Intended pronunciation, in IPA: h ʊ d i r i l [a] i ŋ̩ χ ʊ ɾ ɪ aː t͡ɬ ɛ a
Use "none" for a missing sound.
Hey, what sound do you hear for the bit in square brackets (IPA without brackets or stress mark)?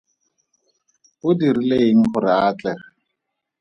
e